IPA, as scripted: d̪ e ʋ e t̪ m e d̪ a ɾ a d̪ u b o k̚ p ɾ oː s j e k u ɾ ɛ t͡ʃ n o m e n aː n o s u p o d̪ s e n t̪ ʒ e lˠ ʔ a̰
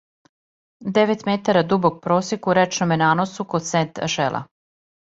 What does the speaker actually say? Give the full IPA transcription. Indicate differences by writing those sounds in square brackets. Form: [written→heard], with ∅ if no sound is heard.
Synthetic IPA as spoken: d̪ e ʋ e t̪ m e [d̪→t̪] a ɾ a d̪ u b o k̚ p ɾ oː s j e k u ɾ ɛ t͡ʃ n o m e n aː n o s u [p→k] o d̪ s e n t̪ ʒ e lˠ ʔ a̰